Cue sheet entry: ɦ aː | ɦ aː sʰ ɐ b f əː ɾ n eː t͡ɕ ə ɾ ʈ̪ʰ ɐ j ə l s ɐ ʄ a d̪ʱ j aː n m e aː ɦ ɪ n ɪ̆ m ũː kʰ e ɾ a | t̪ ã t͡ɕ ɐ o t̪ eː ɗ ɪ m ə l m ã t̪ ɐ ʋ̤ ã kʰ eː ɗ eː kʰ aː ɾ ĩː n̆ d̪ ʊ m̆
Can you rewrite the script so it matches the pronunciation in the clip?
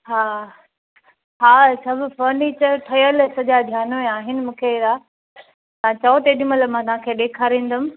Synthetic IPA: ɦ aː | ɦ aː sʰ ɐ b f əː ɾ n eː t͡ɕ ə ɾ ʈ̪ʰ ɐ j ə l s ɐ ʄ a d̪ʱ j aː n m e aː ɦ ɪ n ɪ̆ m ũː kʰ e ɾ a | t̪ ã t͡ɕ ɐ o t̪ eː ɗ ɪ m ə l m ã t̪ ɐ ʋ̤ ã kʰ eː ɗ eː kʰ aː ɾ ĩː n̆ d̪ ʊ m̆